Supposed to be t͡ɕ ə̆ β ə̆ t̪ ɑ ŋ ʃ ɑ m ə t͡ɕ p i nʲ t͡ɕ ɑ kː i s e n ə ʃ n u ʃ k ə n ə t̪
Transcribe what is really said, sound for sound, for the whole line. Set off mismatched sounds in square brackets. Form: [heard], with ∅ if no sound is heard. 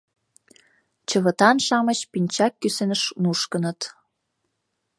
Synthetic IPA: t͡ɕ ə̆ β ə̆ t̪ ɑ [n] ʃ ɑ m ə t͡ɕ p i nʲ t͡ɕ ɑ kː [y] s e n ə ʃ n u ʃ k ə n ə t̪